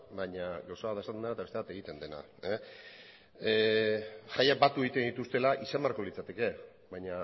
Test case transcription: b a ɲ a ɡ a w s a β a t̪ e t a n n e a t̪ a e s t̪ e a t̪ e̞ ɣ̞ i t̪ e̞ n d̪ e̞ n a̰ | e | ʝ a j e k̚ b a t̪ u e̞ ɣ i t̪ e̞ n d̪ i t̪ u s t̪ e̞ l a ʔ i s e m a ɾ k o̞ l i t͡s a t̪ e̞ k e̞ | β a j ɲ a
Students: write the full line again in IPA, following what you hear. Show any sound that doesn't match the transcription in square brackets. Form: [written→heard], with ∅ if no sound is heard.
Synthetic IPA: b a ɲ a ɡ a w s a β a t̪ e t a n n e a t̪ a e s t̪ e a t̪ e̞ ɣ̞ i t̪ e̞ n d̪ e̞ n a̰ | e | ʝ a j [e→a] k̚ b a t̪ u e̞ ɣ i t̪ e̞ n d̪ i t̪ u s t̪ e̞ l a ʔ i s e m a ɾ k o̞ l i t͡s a t̪ e̞ k e̞ | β a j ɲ a

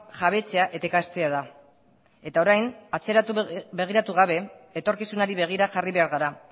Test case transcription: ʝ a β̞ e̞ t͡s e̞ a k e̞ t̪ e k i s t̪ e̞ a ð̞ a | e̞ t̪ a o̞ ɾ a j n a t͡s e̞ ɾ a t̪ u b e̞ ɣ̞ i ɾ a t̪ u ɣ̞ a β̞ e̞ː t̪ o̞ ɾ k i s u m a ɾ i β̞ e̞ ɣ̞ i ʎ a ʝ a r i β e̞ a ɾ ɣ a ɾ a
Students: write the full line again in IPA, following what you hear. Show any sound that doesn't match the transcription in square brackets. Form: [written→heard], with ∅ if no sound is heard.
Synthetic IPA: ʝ a β̞ e̞ t͡s e̞ a [k→ʔ] e̞ t̪ e k [i→a] s t̪ e̞ a ð̞ a | e̞ t̪ a o̞ ɾ a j n a t͡s e̞ ɾ a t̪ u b e̞ ɣ̞ i ɾ a t̪ u ɣ̞ a β̞ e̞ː t̪ o̞ ɾ k i s u [m→n] a ɾ i β̞ e̞ ɣ̞ i [ʎ→ɾ] a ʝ a r i β e̞ a ɾ ɣ a ɾ a

